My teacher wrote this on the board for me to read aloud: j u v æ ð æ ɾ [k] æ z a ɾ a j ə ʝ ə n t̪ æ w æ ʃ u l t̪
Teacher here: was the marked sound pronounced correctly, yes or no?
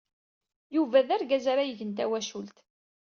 no